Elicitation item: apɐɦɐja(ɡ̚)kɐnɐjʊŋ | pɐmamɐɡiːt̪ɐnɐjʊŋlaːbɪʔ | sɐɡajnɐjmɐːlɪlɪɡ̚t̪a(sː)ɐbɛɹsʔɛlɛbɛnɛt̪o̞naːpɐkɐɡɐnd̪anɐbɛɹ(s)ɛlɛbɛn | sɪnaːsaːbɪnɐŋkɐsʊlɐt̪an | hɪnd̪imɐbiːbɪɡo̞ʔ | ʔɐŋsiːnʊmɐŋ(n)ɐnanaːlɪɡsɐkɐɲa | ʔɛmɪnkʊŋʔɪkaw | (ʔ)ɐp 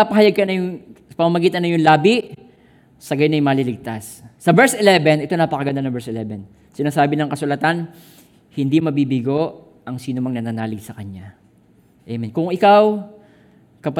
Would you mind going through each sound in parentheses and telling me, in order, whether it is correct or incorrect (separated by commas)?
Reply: correct, correct, correct, correct, incorrect